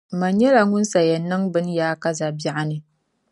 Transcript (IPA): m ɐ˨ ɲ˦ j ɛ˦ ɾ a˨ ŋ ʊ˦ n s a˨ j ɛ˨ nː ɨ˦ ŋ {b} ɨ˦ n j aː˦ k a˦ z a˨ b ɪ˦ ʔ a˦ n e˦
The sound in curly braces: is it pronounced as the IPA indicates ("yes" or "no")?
yes